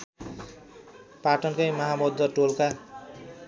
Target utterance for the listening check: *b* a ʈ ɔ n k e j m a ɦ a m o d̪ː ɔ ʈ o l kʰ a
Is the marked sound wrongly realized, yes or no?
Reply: yes